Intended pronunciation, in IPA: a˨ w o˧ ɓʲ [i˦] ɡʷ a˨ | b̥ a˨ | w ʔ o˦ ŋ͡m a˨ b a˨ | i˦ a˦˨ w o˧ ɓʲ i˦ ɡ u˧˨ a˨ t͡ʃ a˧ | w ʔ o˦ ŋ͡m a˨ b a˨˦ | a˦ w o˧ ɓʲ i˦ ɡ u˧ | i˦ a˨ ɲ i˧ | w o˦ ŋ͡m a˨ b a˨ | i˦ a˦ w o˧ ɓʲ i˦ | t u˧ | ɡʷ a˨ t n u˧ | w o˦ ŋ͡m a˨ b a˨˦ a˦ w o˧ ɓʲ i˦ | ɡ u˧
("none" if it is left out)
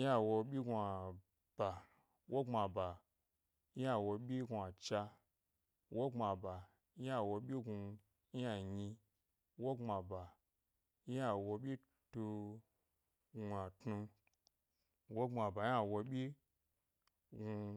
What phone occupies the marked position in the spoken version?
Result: i˦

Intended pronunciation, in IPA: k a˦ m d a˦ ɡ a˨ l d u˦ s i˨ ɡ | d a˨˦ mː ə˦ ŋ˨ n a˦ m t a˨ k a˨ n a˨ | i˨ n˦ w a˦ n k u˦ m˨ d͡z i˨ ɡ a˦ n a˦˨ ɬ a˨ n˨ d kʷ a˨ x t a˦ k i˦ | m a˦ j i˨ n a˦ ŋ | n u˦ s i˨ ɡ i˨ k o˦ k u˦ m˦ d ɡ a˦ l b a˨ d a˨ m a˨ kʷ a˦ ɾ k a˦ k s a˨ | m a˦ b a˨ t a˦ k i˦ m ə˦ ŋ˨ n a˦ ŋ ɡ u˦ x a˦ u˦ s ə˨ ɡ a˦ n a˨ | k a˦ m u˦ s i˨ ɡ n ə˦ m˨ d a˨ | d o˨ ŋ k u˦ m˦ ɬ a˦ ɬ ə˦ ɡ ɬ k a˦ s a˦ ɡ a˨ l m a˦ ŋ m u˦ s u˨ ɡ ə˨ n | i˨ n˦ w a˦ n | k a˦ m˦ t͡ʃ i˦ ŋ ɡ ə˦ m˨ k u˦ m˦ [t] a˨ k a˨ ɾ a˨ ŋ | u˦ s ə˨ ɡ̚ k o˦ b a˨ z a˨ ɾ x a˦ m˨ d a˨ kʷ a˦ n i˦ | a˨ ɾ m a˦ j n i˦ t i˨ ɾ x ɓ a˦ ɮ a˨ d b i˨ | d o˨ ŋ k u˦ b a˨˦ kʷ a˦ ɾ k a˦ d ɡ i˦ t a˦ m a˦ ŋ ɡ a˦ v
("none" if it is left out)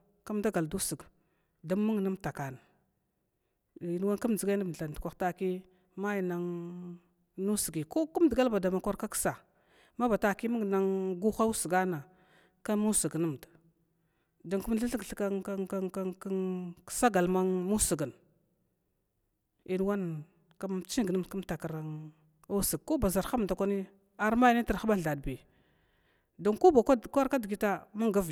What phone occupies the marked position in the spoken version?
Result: t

